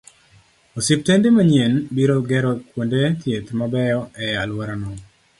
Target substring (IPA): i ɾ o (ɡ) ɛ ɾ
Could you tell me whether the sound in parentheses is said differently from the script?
no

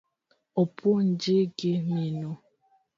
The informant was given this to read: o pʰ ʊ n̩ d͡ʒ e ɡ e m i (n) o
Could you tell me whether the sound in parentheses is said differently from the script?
no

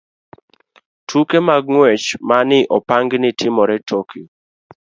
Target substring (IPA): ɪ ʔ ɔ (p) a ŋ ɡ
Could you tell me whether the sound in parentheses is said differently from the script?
no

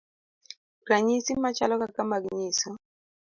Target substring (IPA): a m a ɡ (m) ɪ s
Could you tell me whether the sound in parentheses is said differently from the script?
yes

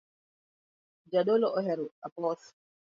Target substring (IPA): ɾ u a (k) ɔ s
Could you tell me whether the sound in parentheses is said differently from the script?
yes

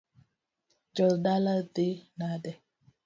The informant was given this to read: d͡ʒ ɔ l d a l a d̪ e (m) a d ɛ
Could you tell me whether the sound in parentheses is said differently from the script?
yes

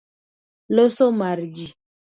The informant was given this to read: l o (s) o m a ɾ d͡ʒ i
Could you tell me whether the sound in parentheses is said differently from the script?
no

